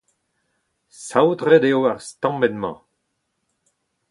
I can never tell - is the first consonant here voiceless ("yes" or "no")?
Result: yes